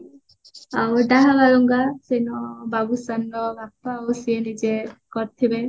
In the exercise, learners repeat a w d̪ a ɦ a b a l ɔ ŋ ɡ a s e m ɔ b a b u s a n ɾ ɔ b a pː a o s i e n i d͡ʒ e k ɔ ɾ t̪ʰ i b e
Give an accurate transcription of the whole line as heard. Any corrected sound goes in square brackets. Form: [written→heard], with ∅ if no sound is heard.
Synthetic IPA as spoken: a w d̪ a ɦ a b a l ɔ ŋ ɡ a s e [m→n] ɔ b a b u s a n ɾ ɔ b a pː a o s i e n i d͡ʒ e k ɔ ɾ t̪ʰ i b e